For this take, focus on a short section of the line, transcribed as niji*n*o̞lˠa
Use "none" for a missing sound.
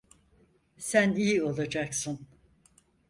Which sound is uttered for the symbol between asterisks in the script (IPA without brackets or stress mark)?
none